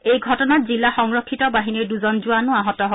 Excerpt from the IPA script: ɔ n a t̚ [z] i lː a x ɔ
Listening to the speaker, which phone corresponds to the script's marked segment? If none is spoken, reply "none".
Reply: z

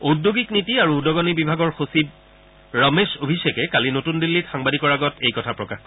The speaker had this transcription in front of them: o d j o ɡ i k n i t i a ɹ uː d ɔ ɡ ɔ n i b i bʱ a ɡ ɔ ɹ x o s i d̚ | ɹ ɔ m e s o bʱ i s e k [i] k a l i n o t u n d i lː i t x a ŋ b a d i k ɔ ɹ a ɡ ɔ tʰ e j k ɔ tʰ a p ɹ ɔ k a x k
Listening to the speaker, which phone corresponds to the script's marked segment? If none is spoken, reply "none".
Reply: ɛ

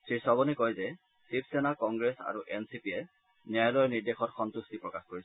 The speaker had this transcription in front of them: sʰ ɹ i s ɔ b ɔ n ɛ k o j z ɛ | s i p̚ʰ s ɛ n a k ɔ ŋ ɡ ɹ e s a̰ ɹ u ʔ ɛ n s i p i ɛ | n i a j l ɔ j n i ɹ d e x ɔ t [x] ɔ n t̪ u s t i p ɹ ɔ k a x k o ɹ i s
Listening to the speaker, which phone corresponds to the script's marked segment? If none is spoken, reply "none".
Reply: x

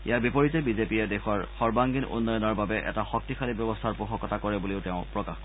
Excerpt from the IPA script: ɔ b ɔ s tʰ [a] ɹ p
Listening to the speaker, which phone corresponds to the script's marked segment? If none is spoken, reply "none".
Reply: a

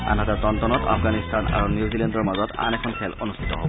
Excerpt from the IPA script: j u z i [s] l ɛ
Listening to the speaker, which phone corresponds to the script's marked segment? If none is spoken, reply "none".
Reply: none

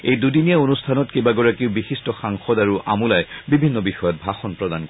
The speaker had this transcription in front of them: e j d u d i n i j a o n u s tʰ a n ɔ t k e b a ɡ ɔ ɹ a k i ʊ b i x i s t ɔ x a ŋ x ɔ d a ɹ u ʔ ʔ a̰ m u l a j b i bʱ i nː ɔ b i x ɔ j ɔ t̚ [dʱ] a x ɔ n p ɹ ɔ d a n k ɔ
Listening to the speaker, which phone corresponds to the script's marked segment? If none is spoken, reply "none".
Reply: bʱ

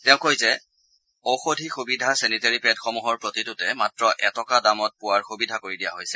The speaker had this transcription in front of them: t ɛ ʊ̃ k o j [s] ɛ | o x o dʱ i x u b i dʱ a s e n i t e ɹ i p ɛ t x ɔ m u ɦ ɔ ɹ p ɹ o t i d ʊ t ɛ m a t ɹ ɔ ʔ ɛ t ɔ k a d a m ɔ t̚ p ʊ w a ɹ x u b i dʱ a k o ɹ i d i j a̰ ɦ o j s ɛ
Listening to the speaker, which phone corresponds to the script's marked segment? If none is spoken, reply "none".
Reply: z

